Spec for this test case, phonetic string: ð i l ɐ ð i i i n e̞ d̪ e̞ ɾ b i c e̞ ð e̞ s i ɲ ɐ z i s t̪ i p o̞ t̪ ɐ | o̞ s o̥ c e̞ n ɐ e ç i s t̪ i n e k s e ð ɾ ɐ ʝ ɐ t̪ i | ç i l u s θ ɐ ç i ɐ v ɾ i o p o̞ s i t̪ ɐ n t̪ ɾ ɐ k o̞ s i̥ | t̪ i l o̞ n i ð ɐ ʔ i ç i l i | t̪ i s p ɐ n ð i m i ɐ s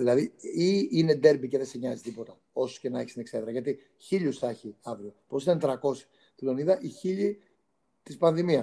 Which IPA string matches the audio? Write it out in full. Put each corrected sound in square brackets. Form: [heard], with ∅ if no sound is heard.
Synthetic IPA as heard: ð i l ɐ ð i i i n e̞ d̪ e̞ ɾ b i c e̞ ð e̞ s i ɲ ɐ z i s t̪ i p o̞ t̪ ɐ | o̞ s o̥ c e̞ n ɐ e ç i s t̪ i n e k s e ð ɾ ɐ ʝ ɐ t̪ i | ç i [ʎ] u s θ ɐ ç i ɐ v ɾ i o p o̞ s i t̪ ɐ n t̪ ɾ ɐ k o̞ s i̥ | t̪ i l o̞ n i ð ɐ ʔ i ç i [ʎ] i | t̪ i s p ɐ n ð i m i ɐ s